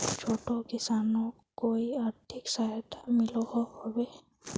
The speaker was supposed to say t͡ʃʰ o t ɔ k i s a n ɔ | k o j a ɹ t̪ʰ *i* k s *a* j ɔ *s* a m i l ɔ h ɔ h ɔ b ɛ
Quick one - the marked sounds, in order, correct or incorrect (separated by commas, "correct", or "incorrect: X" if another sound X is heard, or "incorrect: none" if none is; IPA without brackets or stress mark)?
correct, correct, incorrect: t